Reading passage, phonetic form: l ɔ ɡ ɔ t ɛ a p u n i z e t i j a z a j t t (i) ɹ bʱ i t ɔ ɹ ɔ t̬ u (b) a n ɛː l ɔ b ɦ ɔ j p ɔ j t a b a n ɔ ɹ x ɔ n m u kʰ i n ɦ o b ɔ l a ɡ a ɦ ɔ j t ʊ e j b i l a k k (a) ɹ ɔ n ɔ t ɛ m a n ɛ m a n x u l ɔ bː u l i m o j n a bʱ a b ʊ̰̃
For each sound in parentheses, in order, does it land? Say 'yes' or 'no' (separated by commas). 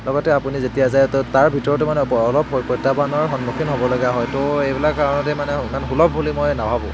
no, no, yes